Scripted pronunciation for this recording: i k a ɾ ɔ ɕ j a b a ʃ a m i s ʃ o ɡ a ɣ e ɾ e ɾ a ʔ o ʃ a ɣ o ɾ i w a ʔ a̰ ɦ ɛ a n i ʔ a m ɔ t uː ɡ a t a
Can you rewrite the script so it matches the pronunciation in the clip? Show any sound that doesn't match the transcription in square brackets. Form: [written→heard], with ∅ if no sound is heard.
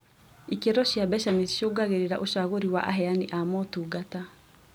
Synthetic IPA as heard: i k [a→e] ɾ ɔ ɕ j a b [a→ɛ] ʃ a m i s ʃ o ɡ a ɣ e ɾ e ɾ a ʔ o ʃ a ɣ o ɾ i w a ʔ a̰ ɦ ɛ a n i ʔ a m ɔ t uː ɡ a t a